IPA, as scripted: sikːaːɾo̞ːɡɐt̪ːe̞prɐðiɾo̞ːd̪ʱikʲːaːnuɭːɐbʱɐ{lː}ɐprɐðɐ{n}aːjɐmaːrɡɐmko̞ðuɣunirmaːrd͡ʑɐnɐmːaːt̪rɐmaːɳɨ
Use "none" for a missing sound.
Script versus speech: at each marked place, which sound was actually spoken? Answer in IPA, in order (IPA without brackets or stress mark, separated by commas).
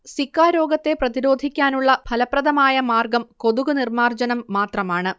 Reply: l, m